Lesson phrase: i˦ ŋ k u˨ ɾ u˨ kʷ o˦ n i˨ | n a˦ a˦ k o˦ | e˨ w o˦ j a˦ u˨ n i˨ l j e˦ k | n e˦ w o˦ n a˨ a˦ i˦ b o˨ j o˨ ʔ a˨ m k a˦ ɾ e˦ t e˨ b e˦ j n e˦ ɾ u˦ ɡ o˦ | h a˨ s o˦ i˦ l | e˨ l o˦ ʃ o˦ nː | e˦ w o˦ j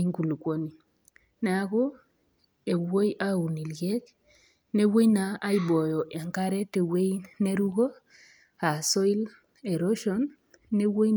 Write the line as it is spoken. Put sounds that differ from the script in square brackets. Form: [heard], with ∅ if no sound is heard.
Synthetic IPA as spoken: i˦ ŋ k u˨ [l] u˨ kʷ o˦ n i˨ | n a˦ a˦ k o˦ | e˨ w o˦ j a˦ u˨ n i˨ l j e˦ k | n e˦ w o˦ n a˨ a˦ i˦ b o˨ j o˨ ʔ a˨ [ŋ] k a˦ ɾ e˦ t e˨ [w] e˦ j n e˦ ɾ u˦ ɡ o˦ | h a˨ s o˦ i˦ l | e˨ [ɾ] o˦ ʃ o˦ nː | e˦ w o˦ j